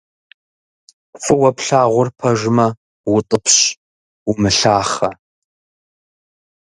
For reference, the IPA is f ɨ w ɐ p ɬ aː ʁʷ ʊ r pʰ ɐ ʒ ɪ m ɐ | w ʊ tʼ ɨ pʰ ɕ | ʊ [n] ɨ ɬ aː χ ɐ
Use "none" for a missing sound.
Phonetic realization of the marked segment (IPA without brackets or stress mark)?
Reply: m